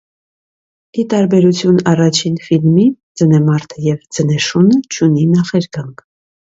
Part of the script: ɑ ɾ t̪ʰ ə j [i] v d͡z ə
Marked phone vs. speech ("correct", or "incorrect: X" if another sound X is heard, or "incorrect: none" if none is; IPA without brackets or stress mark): incorrect: ɛ